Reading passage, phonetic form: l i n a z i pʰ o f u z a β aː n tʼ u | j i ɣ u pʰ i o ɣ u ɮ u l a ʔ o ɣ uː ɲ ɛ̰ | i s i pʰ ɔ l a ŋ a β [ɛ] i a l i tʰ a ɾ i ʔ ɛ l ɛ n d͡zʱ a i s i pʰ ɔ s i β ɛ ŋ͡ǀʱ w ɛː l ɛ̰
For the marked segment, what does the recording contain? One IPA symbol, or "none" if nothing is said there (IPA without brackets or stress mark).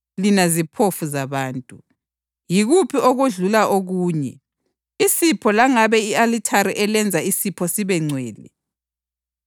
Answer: ɛ